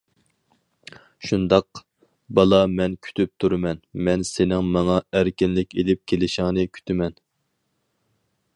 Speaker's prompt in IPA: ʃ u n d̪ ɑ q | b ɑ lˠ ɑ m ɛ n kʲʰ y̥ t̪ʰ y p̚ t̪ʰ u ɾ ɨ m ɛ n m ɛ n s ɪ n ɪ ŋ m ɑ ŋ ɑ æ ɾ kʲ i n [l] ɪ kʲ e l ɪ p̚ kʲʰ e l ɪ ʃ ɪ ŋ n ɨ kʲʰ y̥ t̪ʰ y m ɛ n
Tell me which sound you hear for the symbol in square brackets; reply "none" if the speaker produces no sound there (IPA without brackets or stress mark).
l